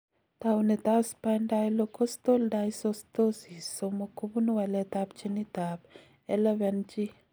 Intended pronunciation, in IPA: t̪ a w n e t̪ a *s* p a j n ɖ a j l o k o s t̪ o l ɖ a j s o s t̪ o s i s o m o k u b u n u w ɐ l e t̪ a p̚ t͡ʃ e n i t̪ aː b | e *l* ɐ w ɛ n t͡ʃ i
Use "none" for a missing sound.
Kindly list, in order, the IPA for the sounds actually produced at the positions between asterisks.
s, l

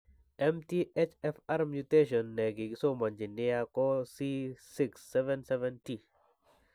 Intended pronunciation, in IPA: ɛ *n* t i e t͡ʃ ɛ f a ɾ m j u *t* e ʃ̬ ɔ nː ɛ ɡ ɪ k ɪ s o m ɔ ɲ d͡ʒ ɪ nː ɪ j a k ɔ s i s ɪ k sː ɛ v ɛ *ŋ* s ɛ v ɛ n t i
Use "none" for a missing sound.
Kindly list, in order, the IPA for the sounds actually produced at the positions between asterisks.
m, t, n

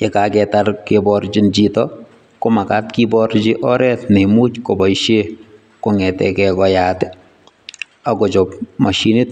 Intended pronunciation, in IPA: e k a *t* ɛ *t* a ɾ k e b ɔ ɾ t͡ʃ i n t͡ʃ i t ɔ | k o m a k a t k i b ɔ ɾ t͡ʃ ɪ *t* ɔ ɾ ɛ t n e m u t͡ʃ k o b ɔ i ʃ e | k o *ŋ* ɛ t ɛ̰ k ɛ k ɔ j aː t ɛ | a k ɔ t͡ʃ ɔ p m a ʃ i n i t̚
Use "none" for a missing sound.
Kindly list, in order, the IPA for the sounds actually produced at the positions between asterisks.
k, t, ʔ, ŋ

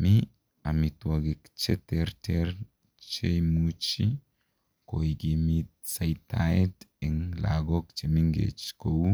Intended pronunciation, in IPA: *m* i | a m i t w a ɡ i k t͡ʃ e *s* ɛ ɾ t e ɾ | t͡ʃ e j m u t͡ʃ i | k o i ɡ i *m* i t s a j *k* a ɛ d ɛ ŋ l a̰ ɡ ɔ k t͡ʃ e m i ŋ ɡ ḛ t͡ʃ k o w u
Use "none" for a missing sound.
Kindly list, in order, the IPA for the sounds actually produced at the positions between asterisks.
m, t, m, t

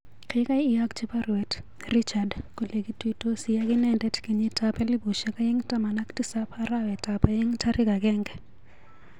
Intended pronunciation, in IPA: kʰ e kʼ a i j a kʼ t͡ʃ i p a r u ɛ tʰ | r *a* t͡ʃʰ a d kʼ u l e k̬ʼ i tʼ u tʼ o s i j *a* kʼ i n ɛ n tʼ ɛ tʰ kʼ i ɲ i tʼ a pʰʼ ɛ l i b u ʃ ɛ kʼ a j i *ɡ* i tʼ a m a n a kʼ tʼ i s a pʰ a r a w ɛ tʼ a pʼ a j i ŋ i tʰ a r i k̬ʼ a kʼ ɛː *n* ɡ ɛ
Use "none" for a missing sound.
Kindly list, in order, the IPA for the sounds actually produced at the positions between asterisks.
i, a, ŋ, ŋ

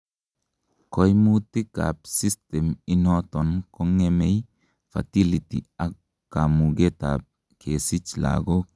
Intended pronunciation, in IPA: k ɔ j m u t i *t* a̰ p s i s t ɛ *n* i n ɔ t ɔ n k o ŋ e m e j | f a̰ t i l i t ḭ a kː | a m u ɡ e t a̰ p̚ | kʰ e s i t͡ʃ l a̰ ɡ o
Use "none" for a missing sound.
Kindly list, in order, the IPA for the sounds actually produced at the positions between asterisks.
k, m

